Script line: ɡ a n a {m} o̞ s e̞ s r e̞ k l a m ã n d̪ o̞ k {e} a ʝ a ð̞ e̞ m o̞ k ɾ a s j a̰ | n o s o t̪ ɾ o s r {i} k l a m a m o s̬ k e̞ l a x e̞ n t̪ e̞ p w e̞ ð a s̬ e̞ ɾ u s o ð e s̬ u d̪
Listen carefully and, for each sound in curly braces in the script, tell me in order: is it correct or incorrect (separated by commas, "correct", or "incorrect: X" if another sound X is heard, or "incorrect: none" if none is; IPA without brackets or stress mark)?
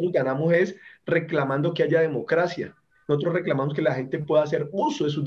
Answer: correct, correct, incorrect: e